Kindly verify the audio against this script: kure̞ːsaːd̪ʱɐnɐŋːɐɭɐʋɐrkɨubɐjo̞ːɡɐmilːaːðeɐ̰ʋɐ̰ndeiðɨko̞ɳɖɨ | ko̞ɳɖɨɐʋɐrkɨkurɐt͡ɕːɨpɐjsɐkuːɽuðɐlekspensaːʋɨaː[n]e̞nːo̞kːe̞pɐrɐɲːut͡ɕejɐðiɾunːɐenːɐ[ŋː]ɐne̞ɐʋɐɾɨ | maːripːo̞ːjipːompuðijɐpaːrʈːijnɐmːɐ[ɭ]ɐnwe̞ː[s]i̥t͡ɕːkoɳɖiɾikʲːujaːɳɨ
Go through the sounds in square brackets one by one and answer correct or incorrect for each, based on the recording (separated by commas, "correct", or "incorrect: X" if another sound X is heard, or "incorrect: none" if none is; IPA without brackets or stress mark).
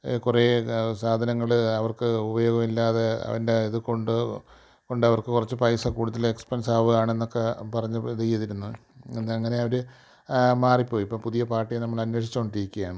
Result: incorrect: ɳ, correct, correct, incorrect: ʂ